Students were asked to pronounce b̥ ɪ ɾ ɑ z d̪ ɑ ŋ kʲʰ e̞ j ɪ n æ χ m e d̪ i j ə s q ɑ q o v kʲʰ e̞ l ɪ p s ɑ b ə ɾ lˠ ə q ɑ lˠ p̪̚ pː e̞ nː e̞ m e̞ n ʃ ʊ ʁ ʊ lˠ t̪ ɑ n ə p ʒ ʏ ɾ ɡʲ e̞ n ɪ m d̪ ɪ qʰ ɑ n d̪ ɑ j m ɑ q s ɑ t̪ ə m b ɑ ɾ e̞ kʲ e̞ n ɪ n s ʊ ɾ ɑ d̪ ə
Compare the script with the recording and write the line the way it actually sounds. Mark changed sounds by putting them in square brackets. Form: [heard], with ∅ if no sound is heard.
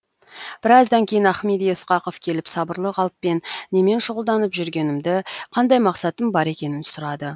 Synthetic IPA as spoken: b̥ ɪ ɾ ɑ z d̪ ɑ ŋ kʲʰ e̞ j ɪ n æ χ m e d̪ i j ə s q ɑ q o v kʲʰ e̞ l ɪ p s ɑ b ə ɾ lˠ ə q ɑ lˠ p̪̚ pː e̞ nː e̞ m e̞ n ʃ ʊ ʁ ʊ lˠ [d̪] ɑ n ə p ʒ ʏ ɾ ɡʲ e̞ n ɪ m d̪ ɪ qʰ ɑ n d̪ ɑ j m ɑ q s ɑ t̪ ə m b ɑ ɾ e̞ kʲ e̞ n ɪ n s ʊ ɾ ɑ d̪ ə

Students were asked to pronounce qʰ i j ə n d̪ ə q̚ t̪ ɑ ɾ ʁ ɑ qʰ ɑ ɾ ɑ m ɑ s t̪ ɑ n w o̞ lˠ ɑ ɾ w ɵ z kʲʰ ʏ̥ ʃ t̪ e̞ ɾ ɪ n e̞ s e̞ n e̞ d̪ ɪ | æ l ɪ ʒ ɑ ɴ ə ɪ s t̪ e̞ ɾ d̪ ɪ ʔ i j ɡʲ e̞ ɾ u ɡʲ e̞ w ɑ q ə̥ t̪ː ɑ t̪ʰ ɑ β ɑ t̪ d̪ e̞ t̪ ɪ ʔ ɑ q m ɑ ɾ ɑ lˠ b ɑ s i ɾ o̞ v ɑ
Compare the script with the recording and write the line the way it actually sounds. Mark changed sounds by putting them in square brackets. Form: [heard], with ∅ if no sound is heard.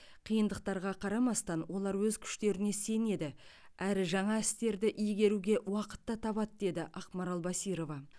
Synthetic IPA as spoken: qʰ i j ə n d̪ ə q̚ t̪ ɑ ɾ ʁ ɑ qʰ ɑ ɾ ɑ m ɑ s t̪ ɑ n w o̞ lˠ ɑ ɾ w ɵ z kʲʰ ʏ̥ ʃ t̪ e̞ ɾ ɪ n e̞ s e̞ n e̞ d̪ ɪ | æ [ɾ] ɪ ʒ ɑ ɴ [ɑ] ɪ s t̪ e̞ ɾ d̪ ɪ ʔ i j ɡʲ e̞ ɾ u ɡʲ e̞ w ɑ q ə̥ t̪ː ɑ t̪ʰ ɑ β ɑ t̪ d̪ e̞ [d̪] ɪ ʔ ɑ q m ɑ ɾ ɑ lˠ b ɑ s i ɾ o̞ v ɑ

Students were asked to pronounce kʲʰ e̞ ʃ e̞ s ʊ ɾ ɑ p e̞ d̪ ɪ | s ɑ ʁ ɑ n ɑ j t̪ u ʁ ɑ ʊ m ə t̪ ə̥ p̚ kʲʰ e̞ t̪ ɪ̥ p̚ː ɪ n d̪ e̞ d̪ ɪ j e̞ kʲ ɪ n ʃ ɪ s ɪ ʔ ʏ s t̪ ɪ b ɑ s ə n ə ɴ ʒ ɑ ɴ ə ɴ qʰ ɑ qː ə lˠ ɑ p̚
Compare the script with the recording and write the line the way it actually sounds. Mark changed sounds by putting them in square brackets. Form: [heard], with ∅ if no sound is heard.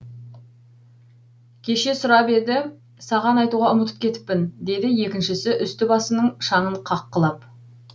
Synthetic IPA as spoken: kʲʰ e̞ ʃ e̞ s ʊ ɾ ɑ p e̞ d̪ ɪ | s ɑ ʁ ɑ n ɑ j t̪ u ʁ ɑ ʊ m ə t̪ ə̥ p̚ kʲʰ e̞ t̪ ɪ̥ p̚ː ɪ n d̪ e̞ d̪ ɪ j e̞ kʲ ɪ n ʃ ɪ s ɪ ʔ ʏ s t̪ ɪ b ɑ s ə n ə ɴ [ʃ] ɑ ɴ ə ɴ qʰ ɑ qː ə lˠ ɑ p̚

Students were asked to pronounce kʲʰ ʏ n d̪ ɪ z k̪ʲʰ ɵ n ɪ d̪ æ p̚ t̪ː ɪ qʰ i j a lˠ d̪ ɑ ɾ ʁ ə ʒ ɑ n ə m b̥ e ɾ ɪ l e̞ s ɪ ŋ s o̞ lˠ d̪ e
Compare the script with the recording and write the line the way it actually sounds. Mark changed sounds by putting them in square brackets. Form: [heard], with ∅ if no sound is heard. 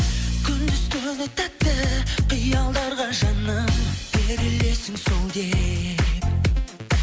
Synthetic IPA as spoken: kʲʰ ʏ n d̪ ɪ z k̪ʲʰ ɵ n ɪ [t̪] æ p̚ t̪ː ɪ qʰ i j [ɑ] lˠ d̪ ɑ ɾ ʁ [ɑ] ʒ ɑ n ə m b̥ e ɾ ɪ l e̞ s ɪ ŋ s o̞ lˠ d̪ e

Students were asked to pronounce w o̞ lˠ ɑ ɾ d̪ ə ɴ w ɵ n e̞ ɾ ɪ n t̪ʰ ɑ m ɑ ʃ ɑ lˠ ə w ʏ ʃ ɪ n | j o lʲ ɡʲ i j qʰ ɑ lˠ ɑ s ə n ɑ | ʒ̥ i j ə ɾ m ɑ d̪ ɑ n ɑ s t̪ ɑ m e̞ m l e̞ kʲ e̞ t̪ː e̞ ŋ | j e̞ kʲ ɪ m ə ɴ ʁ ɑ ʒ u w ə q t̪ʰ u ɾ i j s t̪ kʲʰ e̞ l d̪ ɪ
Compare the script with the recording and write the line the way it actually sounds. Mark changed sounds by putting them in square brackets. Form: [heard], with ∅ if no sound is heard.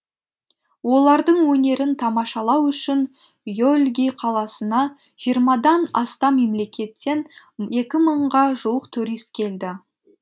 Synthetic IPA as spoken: w o̞ lˠ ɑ ɾ d̪ ə ɴ w ɵ n e̞ ɾ ɪ n t̪ʰ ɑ m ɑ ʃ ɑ lˠ [ɑ] w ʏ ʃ ɪ n | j o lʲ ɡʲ i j qʰ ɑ lˠ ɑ s ə n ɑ | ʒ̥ i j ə ɾ m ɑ d̪ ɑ n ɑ s t̪ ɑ m e̞ m l e̞ kʲ e̞ t̪ː e̞ [n] | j e̞ kʲ ɪ m ə ɴ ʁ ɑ ʒ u w ə q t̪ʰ u ɾ i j s t̪ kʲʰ e̞ l d̪ ɪ

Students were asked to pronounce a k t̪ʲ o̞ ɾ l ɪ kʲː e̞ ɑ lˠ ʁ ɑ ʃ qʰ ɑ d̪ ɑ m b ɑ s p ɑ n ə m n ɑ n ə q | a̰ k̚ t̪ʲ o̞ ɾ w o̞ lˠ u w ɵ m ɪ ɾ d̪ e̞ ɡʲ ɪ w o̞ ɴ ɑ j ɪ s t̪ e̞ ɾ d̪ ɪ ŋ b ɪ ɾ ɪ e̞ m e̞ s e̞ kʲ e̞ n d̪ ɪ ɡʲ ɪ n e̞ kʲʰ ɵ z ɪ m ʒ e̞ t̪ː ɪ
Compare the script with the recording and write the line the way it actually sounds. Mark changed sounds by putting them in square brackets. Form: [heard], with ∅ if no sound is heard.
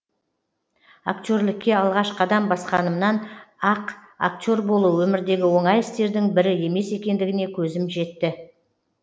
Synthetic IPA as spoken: a k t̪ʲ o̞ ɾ l ɪ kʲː e̞ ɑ lˠ ʁ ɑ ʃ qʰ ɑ d̪ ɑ m b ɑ s [q] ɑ n ə m n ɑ n [ɑ] q | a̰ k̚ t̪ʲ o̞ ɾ [b] o̞ lˠ u w ɵ m ɪ ɾ d̪ e̞ ɡʲ ɪ w o̞ ɴ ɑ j ɪ s t̪ e̞ ɾ d̪ ɪ ŋ b ɪ ɾ ɪ e̞ m e̞ s e̞ kʲ e̞ n d̪ ɪ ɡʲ ɪ n e̞ kʲʰ ɵ z ɪ m ʒ e̞ t̪ː ɪ

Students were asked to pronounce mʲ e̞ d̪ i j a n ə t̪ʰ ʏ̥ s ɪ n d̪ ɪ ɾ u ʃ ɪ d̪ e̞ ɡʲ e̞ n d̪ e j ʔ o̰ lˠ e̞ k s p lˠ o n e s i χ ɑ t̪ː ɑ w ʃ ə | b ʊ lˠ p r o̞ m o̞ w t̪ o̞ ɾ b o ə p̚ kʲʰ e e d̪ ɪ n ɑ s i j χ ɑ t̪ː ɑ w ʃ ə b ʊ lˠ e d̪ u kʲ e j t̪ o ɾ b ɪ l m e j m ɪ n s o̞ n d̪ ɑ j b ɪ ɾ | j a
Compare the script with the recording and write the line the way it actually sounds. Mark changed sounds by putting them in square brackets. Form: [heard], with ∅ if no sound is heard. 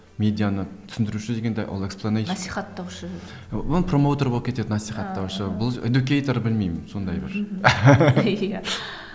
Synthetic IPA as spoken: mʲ e̞ d̪ i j a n ə t̪ʰ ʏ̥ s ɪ n d̪ ɪ ɾ u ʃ ɪ d̪ e̞ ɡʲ e̞ n d̪ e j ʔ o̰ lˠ e̞ k s p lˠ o n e s i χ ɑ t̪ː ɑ w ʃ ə | b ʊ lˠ p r o̞ m o̞ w t̪ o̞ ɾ b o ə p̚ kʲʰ e e d̪ ɪ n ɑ s i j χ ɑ t̪ː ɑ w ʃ ə b ʊ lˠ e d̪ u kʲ e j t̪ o ɾ b ɪ l m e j m ɪ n s o̞ n d̪ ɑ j b ɪ ɾ | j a

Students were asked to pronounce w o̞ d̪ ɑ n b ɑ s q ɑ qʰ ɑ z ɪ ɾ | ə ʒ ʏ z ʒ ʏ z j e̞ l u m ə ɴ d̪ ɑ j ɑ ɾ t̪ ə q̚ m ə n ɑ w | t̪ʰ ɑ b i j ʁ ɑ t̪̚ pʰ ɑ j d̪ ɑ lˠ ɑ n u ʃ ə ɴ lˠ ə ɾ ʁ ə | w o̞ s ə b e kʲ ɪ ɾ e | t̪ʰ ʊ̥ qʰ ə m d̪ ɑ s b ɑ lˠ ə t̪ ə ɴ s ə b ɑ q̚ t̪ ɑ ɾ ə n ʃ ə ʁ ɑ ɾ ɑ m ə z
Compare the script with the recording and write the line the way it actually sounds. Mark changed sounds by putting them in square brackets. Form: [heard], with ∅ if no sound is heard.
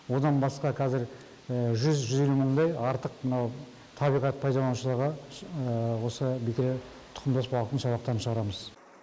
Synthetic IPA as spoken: w o̞ d̪ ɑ n b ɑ s q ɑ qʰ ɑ z ɪ ɾ | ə ʒ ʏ z ʒ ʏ z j e̞ l u m ə ɴ d̪ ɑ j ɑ ɾ t̪ ə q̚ m ə n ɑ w | t̪ʰ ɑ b i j ʁ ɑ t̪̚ pʰ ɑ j d̪ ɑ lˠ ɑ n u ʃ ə [∅] lˠ ə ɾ ʁ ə | w o̞ s ə b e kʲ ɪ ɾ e | t̪ʰ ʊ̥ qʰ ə m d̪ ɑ s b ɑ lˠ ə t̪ ə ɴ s [ɑ] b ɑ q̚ t̪ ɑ ɾ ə n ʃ ə ʁ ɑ ɾ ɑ m ə z

